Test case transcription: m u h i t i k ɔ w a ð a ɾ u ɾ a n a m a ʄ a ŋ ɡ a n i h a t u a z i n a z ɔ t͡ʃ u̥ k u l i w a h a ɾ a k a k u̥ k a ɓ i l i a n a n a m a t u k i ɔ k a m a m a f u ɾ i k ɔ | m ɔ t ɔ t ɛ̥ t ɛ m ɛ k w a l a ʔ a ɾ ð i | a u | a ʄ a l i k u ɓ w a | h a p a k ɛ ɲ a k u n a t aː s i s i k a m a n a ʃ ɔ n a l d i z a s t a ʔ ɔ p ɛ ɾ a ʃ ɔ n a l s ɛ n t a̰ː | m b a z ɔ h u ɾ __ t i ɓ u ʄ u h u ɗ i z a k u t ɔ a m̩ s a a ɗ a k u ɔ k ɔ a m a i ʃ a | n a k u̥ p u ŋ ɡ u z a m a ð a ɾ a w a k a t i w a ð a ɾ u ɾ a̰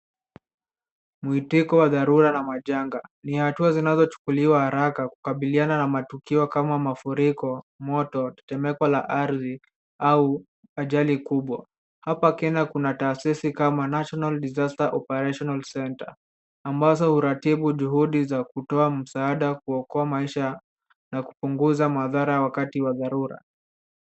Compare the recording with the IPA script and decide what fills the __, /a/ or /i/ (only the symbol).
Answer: a